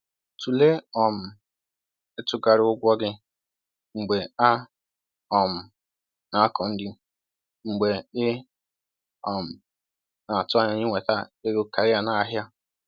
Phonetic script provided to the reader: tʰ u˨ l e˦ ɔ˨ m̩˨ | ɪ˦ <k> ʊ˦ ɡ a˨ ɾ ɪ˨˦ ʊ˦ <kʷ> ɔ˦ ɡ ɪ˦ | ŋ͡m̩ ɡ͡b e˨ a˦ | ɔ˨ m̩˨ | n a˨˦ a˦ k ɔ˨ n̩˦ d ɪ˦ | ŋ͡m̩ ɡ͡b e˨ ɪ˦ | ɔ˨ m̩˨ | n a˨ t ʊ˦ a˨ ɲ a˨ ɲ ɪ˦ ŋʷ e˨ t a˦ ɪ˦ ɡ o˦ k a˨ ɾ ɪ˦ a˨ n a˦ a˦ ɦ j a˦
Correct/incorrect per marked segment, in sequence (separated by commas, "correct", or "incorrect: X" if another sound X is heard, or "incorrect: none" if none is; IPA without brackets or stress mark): incorrect: t, incorrect: ɡʷ